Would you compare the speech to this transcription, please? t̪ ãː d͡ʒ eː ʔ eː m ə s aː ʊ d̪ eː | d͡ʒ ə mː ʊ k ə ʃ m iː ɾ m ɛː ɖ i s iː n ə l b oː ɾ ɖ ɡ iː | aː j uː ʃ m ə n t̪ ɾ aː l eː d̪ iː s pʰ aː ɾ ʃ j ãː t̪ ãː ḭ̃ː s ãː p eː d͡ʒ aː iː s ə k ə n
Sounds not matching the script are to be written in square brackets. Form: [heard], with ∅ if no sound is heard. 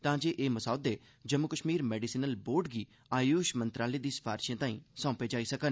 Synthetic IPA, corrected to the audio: t̪ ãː d͡ʒ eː ʔ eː m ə s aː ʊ d̪ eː | d͡ʒ ə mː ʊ k ə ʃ m iː ɾ m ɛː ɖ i s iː n ə l b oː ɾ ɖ ɡ iː | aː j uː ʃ m ə n t̪ ɾ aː l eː d̪ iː s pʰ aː ɾ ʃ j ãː t̪ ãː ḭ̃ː s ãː p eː d͡ʒ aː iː s ə k ə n